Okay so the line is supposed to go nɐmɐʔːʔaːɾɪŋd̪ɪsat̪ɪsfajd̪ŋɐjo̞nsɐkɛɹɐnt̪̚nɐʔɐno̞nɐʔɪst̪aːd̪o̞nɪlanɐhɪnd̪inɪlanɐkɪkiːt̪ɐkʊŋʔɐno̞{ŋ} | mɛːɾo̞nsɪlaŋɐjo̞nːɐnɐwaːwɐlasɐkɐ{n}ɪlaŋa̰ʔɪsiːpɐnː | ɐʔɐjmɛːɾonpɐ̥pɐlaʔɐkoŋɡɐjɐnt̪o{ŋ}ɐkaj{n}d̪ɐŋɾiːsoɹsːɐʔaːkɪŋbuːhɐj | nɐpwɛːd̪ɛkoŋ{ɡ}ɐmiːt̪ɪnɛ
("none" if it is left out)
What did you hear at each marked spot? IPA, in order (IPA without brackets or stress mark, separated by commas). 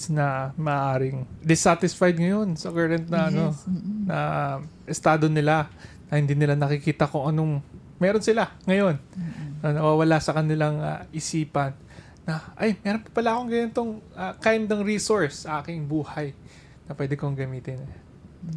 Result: ŋ, n, ŋ, n, ɡ